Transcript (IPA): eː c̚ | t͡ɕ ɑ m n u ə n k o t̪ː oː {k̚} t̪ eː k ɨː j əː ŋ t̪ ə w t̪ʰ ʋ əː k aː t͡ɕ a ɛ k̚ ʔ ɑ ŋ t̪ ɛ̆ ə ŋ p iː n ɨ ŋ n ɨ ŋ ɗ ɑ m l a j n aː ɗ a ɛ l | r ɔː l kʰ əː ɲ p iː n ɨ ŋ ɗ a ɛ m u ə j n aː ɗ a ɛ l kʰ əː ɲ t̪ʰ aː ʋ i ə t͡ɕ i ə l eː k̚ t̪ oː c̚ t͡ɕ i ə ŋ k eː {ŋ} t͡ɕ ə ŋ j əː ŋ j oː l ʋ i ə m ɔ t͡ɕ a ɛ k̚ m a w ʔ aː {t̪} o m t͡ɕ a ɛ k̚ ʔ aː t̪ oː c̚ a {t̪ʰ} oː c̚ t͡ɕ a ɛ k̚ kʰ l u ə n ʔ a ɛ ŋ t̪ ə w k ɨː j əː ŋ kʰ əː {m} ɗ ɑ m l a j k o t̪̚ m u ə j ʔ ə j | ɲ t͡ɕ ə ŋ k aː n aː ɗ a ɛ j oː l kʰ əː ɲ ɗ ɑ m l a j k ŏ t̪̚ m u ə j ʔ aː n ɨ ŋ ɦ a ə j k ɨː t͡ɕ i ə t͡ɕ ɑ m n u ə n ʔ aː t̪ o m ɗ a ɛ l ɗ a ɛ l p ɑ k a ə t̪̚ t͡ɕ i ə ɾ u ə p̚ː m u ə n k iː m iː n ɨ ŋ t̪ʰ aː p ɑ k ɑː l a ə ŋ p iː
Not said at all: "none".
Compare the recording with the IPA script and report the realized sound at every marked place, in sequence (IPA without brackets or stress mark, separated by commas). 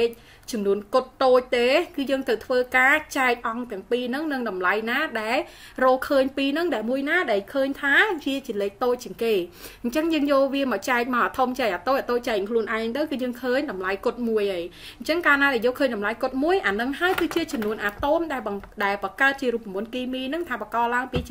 c̚, ɲ, t̪ʰ, t̪, ɲ